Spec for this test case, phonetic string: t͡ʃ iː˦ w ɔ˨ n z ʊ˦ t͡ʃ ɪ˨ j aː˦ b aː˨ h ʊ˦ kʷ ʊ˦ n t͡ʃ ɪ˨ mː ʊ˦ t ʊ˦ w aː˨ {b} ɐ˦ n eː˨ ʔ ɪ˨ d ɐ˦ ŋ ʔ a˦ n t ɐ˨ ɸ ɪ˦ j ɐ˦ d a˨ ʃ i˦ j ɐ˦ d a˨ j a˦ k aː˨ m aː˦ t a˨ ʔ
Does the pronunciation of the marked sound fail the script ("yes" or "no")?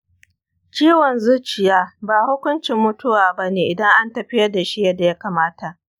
no